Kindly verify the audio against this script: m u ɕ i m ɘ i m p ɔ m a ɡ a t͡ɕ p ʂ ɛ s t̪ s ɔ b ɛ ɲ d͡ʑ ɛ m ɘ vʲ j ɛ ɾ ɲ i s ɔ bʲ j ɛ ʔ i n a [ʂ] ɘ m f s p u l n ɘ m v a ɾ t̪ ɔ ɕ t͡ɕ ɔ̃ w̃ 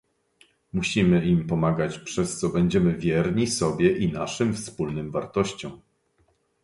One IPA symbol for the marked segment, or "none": ʂ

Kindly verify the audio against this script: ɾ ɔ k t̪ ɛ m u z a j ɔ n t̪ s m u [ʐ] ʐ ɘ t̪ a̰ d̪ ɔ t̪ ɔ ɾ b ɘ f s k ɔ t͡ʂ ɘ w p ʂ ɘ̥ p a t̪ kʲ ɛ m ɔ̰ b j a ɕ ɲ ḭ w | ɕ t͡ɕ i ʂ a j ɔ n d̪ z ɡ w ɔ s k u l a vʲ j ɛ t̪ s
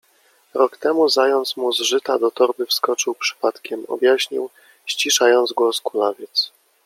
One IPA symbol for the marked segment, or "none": z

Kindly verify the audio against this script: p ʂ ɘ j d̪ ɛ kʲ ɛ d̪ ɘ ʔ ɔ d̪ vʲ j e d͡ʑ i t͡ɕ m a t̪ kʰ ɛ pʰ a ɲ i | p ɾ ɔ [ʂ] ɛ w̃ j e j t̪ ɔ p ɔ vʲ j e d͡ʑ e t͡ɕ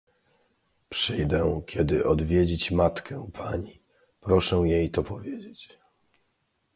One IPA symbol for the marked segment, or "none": ʂ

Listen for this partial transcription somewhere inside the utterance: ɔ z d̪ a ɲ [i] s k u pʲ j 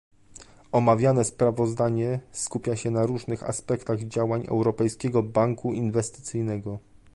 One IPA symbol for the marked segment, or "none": ɛ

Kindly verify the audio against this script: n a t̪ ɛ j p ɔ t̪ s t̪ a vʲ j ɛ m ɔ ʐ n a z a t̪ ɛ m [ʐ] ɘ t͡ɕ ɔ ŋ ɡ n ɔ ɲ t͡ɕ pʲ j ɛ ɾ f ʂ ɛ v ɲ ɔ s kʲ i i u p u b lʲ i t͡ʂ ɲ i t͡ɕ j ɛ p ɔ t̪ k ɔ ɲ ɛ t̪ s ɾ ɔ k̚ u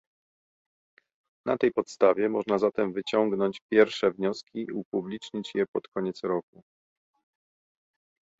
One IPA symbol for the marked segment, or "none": v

